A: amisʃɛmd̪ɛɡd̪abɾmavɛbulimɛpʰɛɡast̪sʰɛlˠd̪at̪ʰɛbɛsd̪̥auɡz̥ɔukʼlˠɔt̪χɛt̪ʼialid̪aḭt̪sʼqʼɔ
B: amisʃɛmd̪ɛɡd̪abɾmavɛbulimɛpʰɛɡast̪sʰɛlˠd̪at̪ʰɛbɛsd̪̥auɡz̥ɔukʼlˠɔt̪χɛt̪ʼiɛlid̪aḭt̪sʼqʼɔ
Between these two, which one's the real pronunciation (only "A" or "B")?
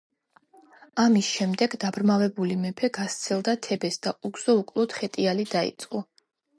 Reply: A